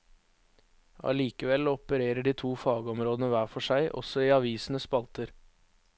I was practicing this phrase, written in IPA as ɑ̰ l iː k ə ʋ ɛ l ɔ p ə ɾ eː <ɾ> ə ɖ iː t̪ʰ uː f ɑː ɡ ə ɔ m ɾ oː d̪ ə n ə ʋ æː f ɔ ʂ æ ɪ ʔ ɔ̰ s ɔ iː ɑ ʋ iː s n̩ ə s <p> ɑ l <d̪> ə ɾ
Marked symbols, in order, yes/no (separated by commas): yes, yes, no